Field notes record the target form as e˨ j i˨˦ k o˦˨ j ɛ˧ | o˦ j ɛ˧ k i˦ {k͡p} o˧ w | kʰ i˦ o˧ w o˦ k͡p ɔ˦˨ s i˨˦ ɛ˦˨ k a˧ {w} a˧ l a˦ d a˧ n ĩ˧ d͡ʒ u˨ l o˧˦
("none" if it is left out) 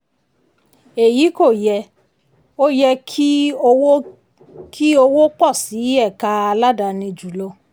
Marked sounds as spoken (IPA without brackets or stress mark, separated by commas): none, none